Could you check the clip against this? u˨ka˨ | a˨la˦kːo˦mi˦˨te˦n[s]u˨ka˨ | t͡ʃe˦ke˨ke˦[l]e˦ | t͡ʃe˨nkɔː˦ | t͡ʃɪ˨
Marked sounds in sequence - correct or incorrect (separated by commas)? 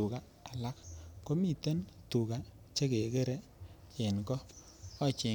incorrect, incorrect